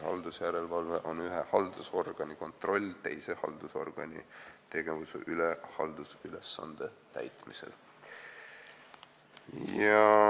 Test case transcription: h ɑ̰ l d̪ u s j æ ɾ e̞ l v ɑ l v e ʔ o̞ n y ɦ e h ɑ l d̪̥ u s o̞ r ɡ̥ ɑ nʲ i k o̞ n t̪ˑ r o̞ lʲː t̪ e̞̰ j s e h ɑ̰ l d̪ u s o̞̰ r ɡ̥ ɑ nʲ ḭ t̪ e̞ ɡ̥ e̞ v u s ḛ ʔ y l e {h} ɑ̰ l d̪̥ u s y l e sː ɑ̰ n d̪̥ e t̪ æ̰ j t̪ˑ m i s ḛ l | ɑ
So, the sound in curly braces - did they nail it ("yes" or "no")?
yes